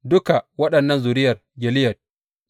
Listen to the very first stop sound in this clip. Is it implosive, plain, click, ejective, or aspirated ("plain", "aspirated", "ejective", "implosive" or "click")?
plain